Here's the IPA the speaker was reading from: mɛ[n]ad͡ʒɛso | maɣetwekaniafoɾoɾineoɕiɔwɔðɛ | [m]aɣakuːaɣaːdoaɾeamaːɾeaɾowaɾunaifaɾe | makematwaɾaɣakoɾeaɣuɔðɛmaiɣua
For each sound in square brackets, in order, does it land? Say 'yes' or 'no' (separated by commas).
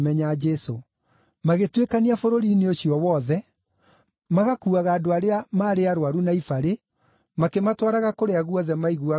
no, yes